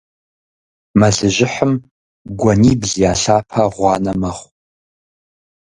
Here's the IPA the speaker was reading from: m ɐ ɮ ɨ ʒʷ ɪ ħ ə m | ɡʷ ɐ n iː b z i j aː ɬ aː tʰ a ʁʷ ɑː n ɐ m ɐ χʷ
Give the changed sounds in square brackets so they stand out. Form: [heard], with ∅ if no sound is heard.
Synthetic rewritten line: m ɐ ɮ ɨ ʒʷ ɪ ħ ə m | ɡʷ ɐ n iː b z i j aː ɬ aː [pʰ] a ʁʷ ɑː n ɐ m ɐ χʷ